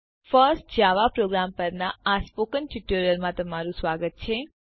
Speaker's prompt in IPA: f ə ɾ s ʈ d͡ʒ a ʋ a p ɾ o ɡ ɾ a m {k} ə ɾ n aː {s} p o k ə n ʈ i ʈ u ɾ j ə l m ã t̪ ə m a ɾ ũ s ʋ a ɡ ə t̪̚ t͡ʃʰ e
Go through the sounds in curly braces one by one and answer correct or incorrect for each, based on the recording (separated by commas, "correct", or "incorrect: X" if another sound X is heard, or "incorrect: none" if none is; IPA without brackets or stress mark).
incorrect: p, correct